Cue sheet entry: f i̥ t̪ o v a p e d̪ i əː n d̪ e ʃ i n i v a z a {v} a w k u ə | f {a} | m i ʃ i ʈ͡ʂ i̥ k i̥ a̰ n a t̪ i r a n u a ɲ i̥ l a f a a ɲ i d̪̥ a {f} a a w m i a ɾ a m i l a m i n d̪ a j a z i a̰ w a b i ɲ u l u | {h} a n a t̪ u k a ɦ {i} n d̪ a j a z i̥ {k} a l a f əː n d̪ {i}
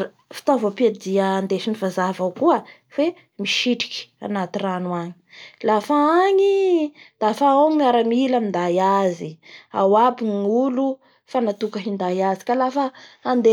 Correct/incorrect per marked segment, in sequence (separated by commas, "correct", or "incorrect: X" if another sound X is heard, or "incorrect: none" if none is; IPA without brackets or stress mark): correct, incorrect: e, correct, incorrect: f, correct, correct, incorrect: e